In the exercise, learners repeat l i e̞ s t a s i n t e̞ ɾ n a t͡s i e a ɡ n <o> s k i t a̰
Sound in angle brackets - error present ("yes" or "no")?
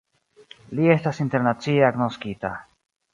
no